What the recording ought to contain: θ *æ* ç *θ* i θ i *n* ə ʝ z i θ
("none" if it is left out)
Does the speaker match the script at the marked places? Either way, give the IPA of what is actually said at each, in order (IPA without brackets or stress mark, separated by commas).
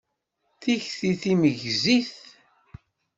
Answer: i, θ, m